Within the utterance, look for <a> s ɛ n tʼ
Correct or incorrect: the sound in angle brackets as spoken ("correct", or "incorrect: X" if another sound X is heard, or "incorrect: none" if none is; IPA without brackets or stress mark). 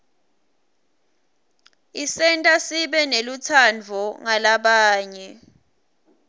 incorrect: i